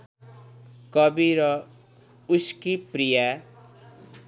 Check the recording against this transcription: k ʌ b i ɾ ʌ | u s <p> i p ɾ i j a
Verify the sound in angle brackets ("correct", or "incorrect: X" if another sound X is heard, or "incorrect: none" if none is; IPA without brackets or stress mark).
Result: incorrect: k